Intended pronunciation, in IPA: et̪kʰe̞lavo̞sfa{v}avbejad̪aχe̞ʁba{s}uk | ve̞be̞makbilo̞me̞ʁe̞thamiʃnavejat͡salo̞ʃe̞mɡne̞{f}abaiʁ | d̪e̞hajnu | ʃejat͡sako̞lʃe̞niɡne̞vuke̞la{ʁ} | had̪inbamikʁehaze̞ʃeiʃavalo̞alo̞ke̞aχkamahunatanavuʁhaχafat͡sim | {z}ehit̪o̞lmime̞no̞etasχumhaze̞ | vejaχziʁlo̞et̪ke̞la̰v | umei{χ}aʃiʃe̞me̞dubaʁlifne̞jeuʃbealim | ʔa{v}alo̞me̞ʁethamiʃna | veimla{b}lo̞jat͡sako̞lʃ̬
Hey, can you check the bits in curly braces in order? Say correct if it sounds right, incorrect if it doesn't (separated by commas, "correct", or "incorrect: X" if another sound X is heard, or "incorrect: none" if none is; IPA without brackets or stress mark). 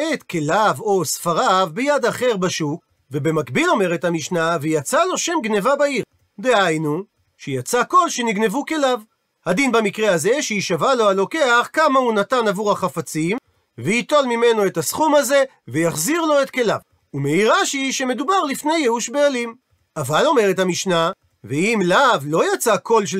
incorrect: ʁ, incorrect: ʃ, incorrect: v, incorrect: v, incorrect: v, incorrect: ʁ, correct, incorrect: v